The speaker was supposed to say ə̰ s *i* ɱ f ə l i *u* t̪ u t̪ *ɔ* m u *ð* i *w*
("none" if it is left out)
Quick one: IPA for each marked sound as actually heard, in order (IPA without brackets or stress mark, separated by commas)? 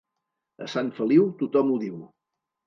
a, w, ɔ, ð, w